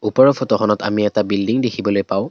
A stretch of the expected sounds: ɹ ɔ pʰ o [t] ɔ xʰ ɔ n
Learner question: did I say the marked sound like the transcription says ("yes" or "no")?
yes